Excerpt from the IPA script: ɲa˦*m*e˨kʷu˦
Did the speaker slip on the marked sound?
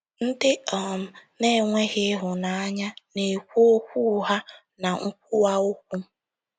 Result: yes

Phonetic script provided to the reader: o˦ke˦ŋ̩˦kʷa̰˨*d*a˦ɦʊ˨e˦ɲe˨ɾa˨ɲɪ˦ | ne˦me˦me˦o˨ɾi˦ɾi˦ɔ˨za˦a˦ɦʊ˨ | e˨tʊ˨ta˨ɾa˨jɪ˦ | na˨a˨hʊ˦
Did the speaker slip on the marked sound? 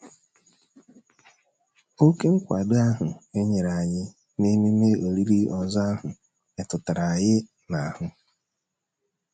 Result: no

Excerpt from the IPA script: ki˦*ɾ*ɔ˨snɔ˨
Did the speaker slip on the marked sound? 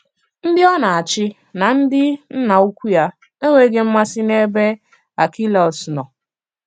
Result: yes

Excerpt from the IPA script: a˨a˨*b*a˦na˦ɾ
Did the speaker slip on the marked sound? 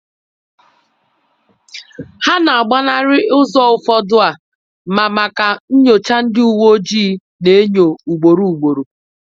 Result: yes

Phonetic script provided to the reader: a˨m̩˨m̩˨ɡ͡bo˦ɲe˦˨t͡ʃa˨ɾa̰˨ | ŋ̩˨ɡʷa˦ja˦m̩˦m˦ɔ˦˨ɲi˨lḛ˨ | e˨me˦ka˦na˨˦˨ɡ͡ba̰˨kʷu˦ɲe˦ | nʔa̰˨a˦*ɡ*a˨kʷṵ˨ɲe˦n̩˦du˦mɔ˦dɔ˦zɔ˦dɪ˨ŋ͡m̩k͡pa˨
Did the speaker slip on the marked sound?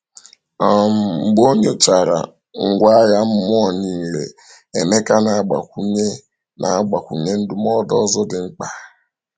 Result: yes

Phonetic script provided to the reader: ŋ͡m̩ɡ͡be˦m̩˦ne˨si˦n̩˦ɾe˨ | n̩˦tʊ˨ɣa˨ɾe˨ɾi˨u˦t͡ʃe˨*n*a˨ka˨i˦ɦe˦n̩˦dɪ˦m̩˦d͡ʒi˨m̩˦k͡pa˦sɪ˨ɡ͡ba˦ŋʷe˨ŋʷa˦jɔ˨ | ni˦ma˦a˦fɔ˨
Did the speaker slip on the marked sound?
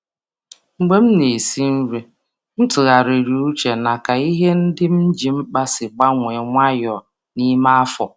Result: no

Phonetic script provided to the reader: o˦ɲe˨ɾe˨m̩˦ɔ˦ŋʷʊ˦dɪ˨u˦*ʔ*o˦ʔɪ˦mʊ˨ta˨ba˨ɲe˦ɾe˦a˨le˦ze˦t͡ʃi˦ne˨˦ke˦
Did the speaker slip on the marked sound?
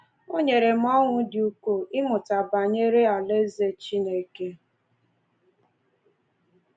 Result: yes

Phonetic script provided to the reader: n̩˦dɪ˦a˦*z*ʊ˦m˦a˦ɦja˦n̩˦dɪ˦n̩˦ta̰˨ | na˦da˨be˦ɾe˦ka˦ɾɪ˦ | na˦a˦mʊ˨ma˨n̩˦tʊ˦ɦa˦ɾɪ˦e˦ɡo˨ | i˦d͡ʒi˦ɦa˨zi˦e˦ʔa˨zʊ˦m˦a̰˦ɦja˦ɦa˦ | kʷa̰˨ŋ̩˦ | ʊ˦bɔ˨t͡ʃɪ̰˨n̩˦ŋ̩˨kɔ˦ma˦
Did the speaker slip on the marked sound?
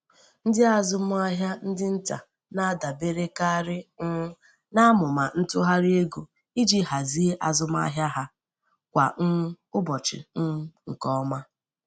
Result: no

